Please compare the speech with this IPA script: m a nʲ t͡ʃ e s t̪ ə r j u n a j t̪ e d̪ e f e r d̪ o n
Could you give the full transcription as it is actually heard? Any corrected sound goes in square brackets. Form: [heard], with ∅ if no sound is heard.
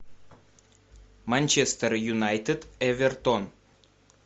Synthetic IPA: m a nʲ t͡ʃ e s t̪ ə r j u n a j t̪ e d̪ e [v] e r [t̪] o n